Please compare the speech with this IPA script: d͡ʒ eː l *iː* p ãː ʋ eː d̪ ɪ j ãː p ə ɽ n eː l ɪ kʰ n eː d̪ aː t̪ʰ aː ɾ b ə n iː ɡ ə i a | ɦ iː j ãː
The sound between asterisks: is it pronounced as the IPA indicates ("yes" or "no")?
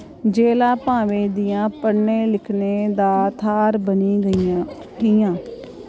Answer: no